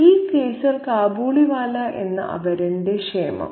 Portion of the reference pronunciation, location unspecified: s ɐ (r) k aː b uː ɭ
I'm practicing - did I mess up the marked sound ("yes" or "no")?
yes